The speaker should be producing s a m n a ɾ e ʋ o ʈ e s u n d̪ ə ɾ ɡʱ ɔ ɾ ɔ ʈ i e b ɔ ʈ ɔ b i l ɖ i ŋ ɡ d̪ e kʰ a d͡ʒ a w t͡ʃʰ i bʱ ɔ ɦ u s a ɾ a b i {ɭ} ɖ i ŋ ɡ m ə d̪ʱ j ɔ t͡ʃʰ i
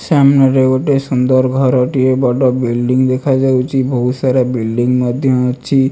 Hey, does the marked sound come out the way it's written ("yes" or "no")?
no